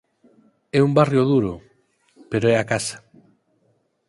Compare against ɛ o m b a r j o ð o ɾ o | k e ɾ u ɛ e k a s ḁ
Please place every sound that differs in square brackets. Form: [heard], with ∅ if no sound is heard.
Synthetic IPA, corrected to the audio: ɛ [u] m b a r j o ð [u] ɾ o | [p] e ɾ [o] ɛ [a] k a s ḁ